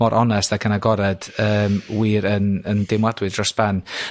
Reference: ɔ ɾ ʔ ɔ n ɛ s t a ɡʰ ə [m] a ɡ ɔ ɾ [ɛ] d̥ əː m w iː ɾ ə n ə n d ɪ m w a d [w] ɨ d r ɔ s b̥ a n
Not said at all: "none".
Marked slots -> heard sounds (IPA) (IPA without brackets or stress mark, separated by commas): n, ɛ, w